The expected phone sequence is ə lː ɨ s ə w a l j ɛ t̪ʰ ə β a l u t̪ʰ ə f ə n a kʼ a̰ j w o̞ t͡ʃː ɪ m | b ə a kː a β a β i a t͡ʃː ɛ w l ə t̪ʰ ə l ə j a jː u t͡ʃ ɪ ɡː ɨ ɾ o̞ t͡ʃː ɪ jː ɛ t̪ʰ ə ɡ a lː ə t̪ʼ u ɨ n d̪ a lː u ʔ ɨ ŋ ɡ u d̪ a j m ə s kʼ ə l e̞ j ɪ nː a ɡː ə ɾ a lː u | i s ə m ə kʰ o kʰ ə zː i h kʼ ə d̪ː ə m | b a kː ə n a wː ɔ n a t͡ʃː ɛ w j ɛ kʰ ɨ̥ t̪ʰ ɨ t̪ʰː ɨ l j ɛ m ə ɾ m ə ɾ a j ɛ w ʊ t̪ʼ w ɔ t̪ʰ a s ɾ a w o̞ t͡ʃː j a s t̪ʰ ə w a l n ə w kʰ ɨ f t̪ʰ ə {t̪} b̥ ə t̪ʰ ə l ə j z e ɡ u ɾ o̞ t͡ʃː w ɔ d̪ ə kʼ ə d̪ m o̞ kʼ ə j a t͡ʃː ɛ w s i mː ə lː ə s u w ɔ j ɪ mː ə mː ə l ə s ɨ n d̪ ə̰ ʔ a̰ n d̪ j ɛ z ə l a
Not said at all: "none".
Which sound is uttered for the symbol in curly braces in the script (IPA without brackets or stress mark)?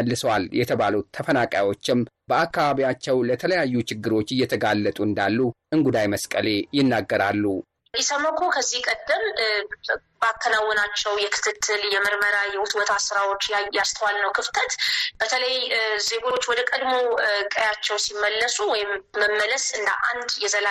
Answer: t̪